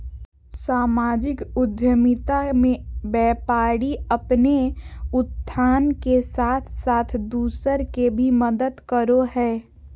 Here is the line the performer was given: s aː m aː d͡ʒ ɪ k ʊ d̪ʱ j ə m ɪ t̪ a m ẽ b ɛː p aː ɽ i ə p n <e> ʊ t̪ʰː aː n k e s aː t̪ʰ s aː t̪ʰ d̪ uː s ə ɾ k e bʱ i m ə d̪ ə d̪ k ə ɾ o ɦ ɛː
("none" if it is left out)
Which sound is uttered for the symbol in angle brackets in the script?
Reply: e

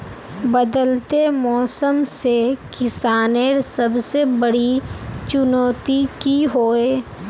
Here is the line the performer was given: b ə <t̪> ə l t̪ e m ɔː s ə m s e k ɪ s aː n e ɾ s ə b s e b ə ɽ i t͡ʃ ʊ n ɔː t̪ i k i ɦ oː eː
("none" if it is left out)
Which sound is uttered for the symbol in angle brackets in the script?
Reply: d̪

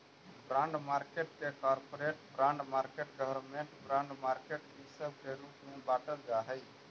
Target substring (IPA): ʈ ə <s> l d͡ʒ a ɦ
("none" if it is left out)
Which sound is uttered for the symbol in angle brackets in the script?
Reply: none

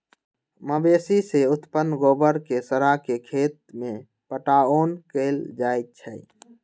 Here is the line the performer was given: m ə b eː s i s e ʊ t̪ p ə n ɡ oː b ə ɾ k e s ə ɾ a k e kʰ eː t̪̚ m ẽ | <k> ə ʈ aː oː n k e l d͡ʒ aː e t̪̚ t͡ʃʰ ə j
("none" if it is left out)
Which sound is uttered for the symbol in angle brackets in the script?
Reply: p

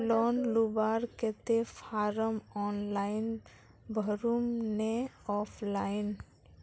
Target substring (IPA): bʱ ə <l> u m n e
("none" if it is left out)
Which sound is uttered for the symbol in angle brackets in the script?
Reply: ɾ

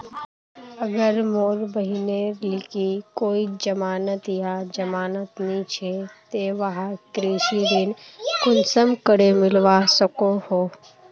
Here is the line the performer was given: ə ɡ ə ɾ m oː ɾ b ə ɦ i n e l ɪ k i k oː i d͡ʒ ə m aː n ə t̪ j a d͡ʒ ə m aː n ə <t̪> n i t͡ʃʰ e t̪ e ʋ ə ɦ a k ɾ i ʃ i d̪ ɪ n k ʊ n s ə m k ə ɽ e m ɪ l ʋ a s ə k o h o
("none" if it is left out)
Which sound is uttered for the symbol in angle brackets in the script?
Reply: t̪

